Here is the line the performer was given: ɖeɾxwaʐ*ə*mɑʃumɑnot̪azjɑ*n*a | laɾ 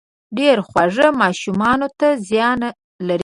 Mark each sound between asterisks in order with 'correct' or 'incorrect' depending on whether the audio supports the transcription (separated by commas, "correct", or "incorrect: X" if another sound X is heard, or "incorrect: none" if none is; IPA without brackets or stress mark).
correct, correct